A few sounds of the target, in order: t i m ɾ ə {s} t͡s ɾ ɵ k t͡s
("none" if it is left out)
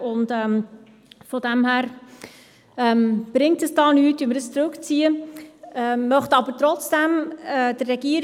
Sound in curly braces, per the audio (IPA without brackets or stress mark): s